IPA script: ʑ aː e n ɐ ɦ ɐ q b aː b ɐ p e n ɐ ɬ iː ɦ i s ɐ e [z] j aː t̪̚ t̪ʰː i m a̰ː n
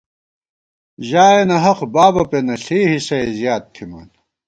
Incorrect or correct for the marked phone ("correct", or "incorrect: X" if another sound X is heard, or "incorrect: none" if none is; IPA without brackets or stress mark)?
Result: correct